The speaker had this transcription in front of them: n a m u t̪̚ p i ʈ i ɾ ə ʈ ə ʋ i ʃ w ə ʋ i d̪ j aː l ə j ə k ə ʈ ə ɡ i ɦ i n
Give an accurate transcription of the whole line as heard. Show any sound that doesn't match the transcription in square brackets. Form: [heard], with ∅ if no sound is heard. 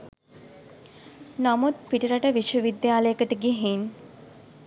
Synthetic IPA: n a m u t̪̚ p i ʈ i ɾ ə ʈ ə ʋ i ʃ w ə ʋ i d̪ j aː l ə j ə k ə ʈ ə ɡ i ɦ i n